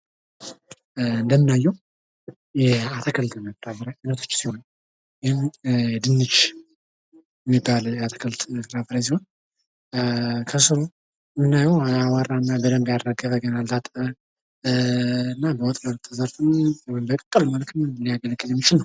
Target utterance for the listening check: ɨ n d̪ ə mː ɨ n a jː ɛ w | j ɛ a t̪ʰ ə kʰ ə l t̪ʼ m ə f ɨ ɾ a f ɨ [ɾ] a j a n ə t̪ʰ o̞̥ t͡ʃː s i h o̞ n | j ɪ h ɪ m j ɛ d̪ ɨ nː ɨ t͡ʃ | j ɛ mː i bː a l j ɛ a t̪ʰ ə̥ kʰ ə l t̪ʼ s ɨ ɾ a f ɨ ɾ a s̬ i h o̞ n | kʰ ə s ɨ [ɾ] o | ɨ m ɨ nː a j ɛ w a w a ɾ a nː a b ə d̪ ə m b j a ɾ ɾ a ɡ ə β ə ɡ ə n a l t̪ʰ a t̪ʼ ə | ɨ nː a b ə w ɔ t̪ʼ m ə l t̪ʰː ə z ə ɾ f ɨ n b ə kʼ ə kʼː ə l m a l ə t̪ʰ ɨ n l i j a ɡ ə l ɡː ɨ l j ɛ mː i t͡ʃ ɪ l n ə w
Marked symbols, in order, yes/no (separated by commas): yes, yes